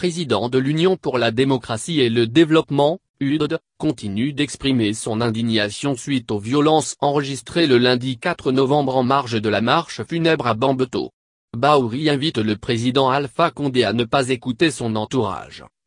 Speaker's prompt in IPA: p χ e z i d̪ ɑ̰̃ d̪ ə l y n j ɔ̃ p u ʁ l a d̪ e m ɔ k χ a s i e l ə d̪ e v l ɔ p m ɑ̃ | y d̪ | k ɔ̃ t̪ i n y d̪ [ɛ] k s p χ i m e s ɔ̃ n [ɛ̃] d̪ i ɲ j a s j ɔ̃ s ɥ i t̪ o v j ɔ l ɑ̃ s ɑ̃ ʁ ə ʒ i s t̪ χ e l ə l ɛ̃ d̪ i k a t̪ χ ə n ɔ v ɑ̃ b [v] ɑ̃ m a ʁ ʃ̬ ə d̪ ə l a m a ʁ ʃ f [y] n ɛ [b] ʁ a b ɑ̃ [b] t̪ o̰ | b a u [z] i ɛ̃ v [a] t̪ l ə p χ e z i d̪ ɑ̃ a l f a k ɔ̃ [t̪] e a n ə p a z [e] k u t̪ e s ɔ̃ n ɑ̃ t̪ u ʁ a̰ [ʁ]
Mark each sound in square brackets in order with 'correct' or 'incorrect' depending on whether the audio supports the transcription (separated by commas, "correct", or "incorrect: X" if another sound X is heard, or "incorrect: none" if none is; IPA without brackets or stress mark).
correct, correct, incorrect: ʁ, correct, correct, correct, incorrect: ʁ, incorrect: i, incorrect: d̪, correct, incorrect: ʒ